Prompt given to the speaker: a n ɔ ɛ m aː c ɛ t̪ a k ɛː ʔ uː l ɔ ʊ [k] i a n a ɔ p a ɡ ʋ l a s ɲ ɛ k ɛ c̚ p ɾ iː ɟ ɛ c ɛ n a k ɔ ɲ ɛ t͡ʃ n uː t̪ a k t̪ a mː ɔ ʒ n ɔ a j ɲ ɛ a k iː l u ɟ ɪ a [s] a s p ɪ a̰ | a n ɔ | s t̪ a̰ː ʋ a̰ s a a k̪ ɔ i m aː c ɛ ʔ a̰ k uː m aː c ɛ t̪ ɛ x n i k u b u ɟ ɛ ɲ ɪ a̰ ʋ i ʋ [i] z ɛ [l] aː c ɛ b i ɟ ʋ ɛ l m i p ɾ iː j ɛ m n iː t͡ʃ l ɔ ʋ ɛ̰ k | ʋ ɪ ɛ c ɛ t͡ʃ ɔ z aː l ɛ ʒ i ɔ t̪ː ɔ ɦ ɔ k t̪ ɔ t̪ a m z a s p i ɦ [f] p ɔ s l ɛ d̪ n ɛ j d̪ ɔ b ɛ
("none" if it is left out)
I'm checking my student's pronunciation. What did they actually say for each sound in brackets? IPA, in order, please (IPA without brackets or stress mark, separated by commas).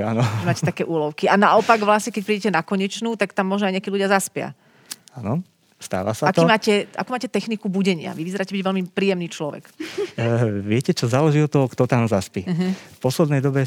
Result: k, z, i, ɾ, f